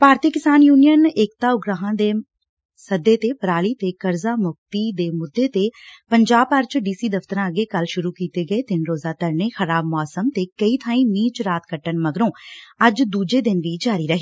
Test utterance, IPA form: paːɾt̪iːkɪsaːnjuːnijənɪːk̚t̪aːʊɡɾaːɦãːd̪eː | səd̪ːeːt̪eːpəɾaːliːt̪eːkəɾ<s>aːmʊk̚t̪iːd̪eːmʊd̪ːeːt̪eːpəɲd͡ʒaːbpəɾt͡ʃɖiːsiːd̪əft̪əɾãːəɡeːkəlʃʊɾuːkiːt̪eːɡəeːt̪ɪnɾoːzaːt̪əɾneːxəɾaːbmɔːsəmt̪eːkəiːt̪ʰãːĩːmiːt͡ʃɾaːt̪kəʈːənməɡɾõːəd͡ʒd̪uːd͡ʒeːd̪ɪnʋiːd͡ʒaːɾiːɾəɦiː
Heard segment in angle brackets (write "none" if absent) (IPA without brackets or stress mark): z